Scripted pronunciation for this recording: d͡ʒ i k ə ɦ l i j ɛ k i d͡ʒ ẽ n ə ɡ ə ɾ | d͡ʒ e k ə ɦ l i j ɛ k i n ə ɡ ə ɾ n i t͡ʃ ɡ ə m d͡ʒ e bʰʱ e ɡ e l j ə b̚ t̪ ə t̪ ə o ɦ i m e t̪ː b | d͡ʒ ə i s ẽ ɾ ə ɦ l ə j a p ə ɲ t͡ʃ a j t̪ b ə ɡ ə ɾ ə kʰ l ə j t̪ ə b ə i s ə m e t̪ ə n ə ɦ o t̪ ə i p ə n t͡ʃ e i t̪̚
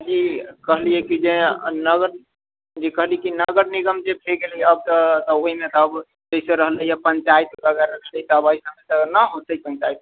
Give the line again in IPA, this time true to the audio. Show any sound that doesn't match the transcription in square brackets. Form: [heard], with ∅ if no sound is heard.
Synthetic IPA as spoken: d͡ʒ i k ə ɦ l i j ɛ k i d͡ʒ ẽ n ə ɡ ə ɾ | d͡ʒ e k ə ɦ l i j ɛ k i n ə ɡ ə ɾ n i [∅] ɡ ə m d͡ʒ e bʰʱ e ɡ e l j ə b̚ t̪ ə t̪ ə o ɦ i m e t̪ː b | d͡ʒ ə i s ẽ ɾ ə ɦ l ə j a p ə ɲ t͡ʃ a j t̪ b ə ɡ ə ɾ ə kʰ l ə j t̪ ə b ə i s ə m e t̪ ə n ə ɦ o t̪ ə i p ə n t͡ʃ [a] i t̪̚